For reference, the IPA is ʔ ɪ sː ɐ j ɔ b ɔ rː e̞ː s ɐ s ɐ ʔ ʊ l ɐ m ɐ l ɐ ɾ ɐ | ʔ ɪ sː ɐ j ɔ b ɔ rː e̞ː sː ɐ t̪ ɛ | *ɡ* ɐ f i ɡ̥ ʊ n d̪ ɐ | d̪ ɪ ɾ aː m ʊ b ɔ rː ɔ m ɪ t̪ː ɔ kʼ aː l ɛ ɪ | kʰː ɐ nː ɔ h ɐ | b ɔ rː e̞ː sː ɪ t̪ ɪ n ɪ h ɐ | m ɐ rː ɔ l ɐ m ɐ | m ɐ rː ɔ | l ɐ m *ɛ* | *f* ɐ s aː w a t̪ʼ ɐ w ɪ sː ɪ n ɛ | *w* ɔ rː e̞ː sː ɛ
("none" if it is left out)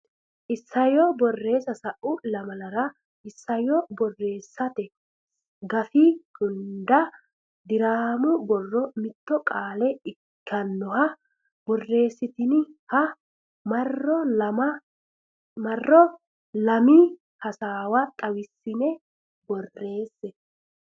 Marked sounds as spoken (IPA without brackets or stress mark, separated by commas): ɡ, i, h, b